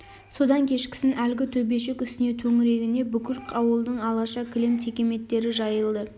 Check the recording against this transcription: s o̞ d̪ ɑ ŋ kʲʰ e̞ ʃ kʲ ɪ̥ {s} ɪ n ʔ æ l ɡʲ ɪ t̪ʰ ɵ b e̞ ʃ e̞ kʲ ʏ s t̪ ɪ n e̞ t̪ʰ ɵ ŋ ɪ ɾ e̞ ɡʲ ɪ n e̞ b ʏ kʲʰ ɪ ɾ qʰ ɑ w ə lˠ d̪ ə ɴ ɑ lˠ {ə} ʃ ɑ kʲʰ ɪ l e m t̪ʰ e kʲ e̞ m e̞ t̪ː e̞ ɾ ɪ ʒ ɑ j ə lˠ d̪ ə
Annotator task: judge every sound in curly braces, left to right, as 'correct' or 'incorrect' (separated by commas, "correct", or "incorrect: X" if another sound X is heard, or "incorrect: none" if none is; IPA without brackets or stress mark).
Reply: correct, incorrect: ɑ